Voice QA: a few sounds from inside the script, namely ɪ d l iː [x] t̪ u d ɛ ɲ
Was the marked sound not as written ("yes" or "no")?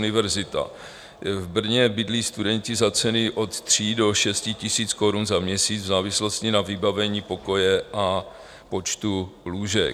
yes